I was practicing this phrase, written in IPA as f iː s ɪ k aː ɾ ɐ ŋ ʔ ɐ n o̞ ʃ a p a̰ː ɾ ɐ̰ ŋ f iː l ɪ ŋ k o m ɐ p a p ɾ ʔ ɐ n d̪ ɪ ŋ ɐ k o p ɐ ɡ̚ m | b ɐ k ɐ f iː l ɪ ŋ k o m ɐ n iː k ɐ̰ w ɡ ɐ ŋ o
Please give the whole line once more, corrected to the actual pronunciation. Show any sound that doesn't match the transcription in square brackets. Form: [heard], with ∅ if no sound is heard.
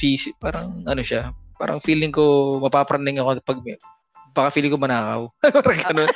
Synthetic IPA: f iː s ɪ [p] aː ɾ ɐ ŋ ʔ ɐ n o̞ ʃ a p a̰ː ɾ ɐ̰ ŋ f iː l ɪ ŋ k o m ɐ p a p ɾ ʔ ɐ n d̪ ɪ ŋ ɐ k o p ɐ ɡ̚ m | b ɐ k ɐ f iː l ɪ ŋ k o m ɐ n [aː] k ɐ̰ w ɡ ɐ [n] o